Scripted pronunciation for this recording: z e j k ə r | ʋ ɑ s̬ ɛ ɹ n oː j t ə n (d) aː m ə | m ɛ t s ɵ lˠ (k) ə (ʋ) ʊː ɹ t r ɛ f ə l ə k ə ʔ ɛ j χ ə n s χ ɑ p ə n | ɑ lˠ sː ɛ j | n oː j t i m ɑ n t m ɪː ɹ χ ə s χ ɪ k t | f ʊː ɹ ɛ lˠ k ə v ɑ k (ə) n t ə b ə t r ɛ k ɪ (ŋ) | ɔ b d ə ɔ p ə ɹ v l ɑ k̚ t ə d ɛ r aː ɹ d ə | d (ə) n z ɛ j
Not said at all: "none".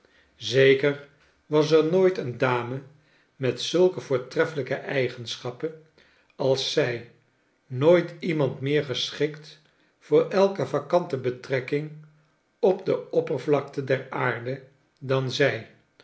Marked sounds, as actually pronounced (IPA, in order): d, k, v, ɑ, ŋ, ɑ

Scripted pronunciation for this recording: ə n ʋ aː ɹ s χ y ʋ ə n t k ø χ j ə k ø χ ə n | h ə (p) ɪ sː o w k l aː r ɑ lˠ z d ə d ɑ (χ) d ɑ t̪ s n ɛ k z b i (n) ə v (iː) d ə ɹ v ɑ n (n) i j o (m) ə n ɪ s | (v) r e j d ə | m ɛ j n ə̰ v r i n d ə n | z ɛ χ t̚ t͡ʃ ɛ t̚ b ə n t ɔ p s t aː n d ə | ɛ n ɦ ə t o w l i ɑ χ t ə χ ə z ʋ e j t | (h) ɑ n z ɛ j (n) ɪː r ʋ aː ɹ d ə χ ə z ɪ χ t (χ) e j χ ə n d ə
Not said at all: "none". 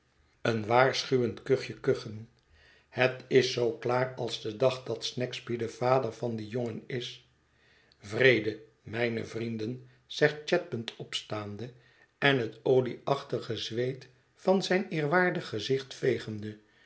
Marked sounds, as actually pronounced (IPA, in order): t, χ, d, aː, d, ŋ, v, f, n, f

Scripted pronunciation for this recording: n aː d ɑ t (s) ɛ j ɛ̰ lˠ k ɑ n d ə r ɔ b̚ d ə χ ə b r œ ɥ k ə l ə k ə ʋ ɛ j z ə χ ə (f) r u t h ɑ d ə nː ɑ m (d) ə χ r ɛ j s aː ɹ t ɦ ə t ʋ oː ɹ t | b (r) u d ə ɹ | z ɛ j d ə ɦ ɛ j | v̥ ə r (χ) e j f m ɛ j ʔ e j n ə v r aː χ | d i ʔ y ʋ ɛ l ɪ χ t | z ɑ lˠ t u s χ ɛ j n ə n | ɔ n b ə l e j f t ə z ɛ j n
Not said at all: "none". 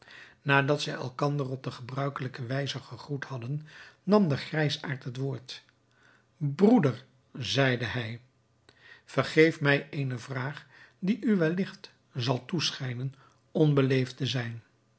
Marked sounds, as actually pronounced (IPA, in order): s, χ, d, r, χ

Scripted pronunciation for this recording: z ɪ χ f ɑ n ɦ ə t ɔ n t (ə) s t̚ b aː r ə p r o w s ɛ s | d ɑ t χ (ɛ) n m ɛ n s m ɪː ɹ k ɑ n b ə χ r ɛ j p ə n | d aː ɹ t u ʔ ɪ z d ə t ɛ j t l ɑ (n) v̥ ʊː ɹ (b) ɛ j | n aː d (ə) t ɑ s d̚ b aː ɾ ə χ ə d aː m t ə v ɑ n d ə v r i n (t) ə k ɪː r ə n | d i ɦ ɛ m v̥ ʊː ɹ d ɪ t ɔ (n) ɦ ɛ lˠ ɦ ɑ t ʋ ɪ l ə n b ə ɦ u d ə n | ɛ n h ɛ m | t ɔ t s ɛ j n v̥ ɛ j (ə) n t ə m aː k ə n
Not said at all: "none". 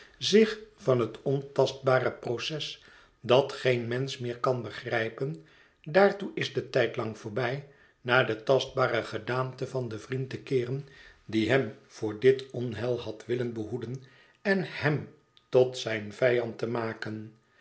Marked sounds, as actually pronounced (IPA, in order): ɑ, e, ŋ, b, ə, t, n, ɑ

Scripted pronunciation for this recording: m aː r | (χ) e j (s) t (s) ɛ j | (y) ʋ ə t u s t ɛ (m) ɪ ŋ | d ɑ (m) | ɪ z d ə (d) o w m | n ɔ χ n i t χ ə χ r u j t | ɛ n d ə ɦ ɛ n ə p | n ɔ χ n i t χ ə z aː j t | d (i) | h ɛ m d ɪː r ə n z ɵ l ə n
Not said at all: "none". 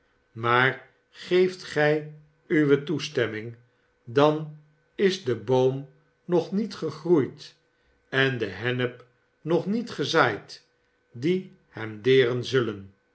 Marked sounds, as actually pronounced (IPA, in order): χ, f, χ, y, m, n, b, i

